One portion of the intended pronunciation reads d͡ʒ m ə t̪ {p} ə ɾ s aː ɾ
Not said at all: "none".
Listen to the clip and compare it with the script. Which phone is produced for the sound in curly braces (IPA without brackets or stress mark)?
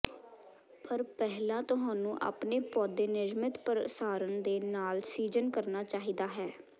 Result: p